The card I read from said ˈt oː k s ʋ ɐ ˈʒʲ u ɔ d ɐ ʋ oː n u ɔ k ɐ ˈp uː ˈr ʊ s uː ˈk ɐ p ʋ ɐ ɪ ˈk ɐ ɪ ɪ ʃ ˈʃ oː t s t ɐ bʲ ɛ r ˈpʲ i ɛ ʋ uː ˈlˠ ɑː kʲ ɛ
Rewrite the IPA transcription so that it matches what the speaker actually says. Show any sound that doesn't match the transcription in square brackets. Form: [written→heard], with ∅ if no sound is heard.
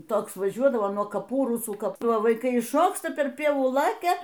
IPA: ˈt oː k s ʋ ɐ ˈʒʲ u ɔ d ɐ ʋ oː n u ɔ k ɐ ˈp uː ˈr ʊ s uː ˈk ɐ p ʋ ɐ ɪ ˈk ɐ ɪ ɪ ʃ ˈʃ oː [t→k] s t ɐ [bʲ→pʲ] ɛ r ˈpʲ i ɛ ʋ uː ˈlˠ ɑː kʲ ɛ

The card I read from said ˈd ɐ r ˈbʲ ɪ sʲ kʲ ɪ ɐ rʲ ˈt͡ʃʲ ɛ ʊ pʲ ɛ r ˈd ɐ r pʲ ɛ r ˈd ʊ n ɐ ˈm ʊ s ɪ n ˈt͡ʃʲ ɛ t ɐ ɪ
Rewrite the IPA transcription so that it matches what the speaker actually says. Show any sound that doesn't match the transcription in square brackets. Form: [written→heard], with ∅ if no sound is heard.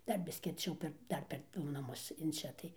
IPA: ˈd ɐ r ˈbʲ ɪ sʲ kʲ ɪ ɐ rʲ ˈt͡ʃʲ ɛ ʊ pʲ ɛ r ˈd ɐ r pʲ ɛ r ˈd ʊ n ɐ ˈm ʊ s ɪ n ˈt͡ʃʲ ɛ t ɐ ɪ

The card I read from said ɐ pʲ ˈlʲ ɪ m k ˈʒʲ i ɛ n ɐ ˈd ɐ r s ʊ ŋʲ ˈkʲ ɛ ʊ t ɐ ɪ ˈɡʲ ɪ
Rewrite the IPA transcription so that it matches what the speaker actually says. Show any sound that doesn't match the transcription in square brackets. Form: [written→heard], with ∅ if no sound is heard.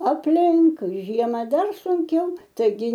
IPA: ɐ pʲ ˈlʲ ɪ [m→ŋ] k ˈʒʲ i ɛ [n→m] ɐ ˈd ɐ r s ʊ ŋʲ ˈkʲ ɛ ʊ t ɐ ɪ ˈɡʲ ɪ

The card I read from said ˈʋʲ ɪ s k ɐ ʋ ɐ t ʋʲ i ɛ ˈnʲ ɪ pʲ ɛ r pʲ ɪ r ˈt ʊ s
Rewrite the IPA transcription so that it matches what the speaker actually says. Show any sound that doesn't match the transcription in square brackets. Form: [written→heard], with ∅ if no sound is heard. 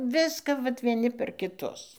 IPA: ˈʋʲ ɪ s k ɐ ʋ ɐ t ʋʲ i ɛ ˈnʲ ɪ pʲ ɛ r [pʲ→kʲ] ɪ [r→∅] ˈt ʊ s

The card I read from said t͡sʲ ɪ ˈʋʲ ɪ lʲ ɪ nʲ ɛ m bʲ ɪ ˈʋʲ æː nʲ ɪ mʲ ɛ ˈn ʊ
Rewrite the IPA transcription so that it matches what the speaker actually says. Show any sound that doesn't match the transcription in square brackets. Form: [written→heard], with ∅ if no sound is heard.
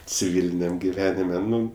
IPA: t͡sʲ ɪ ˈʋʲ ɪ lʲ ɪ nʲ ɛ m [bʲ→ɡʲ] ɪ ˈʋʲ æː nʲ ɪ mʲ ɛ ˈn ʊ

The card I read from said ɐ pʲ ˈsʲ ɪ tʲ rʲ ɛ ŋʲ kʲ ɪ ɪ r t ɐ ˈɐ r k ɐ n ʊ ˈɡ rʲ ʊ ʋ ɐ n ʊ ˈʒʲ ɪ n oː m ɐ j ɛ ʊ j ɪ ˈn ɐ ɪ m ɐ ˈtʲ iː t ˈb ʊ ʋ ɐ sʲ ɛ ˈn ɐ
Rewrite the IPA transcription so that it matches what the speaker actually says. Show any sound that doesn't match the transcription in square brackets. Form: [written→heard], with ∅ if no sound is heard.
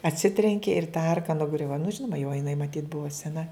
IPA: ɐ [pʲ→tʲ] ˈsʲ ɪ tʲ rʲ ɛ ŋʲ kʲ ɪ ɪ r t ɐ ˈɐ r k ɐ n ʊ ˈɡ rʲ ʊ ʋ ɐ n ʊ ˈʒʲ ɪ n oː m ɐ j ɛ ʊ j ɪ ˈn ɐ ɪ m ɐ ˈtʲ iː t ˈb ʊ ʋ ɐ sʲ ɛ ˈn ɐ

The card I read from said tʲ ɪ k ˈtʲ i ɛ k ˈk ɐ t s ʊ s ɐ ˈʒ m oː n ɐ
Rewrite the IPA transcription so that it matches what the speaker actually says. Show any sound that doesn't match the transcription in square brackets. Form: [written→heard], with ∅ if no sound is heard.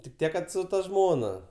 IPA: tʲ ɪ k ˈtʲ i ɛ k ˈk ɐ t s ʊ [s→t] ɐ ˈʒ m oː n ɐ

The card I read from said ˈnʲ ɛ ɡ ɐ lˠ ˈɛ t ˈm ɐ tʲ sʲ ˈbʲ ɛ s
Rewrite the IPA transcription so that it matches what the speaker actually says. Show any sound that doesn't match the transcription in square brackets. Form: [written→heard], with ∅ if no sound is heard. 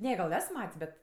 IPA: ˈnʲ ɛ ɡ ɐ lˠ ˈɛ [t→s] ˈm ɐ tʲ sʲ ˈbʲ ɛ [s→t]

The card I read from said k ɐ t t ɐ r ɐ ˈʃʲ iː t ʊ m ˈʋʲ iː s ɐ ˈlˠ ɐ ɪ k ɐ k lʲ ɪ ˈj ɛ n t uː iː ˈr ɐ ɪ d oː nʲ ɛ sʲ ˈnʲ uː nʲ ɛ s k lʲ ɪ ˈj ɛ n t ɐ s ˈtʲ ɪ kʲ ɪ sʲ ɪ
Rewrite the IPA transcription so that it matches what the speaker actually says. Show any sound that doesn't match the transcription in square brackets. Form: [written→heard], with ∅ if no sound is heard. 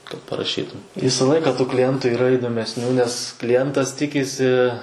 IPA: k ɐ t [t→p] ɐ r ɐ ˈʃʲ iː t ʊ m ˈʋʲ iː s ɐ ˈlˠ ɐ ɪ k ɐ k lʲ ɪ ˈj ɛ n t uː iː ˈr ɐ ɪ d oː [nʲ→mʲ] ɛ sʲ ˈnʲ uː nʲ ɛ s k lʲ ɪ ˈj ɛ n t ɐ s ˈtʲ ɪ kʲ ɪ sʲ ɪ

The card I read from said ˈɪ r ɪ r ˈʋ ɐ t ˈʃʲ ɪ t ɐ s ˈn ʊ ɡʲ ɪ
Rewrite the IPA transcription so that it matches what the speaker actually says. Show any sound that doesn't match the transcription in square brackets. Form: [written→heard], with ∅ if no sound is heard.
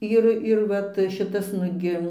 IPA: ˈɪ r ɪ r ˈʋ ɐ t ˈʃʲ ɪ t ɐ s ˈn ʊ ɡʲ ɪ

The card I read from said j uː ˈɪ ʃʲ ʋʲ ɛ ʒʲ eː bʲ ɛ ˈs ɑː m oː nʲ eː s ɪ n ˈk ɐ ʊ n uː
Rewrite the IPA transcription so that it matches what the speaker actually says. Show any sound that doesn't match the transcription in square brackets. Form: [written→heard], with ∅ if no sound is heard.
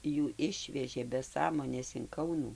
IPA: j uː ˈɪ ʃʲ ʋʲ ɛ ʒʲ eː bʲ ɛ ˈs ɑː m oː nʲ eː s ɪ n ˈk ɐ ʊ n uː

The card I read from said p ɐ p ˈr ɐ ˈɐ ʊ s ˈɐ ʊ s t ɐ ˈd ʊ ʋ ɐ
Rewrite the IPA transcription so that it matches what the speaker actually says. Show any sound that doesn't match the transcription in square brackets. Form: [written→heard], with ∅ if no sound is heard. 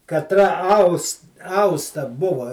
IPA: [p→k] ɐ [p→t] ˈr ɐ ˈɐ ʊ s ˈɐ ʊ s t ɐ [ˈd→ˈb] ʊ ʋ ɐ

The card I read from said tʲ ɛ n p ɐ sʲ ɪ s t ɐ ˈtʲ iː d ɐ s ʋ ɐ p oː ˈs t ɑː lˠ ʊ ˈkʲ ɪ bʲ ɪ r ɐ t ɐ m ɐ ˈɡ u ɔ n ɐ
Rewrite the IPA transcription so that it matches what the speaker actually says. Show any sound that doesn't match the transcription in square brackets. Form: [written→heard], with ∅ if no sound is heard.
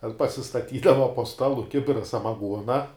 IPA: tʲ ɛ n p ɐ sʲ ɪ s t ɐ ˈtʲ iː d ɐ [s→∅] ʋ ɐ p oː ˈs t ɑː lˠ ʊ ˈkʲ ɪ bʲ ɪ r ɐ [t→s] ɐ m ɐ ˈɡ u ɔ n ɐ

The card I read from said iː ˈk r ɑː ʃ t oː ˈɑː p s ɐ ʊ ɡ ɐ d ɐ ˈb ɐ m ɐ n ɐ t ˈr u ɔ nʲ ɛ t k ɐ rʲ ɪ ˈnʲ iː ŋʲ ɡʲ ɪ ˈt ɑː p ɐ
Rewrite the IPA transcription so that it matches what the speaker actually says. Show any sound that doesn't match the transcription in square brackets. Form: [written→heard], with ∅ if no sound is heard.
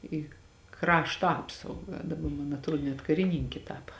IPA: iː ˈk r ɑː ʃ t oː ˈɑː p s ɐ ʊ ɡ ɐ d ɐ ˈb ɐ m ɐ n ɐ t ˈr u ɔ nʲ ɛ t k ɐ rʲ ɪ ˈnʲ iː ŋʲ [ɡʲ→kʲ] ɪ ˈt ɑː p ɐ

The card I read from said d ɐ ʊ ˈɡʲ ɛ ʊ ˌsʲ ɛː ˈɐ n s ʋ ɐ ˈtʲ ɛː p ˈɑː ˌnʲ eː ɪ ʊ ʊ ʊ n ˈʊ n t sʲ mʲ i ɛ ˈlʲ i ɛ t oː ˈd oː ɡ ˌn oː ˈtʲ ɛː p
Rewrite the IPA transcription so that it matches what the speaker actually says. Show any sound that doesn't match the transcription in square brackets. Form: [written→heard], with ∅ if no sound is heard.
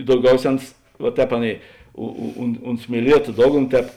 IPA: d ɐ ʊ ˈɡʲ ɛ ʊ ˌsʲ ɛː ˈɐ n s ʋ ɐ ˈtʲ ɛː p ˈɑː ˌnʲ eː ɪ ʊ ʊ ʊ n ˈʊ n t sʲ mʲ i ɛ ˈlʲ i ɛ t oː ˈd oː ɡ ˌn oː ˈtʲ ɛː p

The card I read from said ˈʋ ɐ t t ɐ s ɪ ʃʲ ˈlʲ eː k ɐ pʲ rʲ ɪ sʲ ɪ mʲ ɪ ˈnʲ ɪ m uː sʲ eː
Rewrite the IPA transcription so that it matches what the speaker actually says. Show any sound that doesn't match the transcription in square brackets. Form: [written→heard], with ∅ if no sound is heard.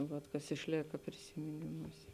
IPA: ˈʋ ɐ t [t→k] ɐ s ɪ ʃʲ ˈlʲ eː k ɐ pʲ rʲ ɪ sʲ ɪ mʲ ɪ ˈnʲ ɪ m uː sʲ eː

